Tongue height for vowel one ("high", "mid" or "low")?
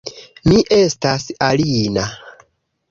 high